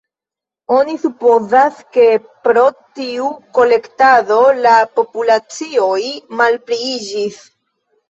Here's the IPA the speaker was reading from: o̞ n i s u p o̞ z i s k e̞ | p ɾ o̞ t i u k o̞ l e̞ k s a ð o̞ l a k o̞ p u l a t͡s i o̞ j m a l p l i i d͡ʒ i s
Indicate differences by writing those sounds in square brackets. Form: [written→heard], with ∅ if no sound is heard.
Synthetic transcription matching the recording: o̞ n i s u p o̞ z [i→a] s k e̞ | p ɾ o̞ t i u k o̞ l e̞ k [s→t] a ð o̞ l a [k→p] o̞ p u l a t͡s i o̞ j m a l p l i i d͡ʒ i s